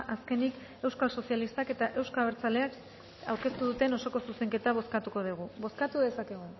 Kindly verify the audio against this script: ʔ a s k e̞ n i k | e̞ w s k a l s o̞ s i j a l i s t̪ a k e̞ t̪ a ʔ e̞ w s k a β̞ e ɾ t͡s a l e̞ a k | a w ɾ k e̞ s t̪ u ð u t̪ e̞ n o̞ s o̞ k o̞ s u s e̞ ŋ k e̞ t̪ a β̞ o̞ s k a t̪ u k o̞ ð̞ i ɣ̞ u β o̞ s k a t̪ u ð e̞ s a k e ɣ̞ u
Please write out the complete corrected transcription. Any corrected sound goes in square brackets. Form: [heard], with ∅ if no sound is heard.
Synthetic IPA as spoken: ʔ a s k e̞ n i k | e̞ w s k a l s o̞ s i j a l i s t̪ a k e̞ t̪ a ʔ e̞ w s k a β̞ e ɾ t͡s a l e̞ a k | a w ɾ k e̞ s t̪ u ð u t̪ e̞ n o̞ s o̞ k o̞ s u s e̞ ŋ k e̞ t̪ a β̞ o̞ s k a t̪ u k o̞ ð̞ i ɣ̞ u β o̞ s k a t̪ u ð e̞ s a k e ɣ̞ u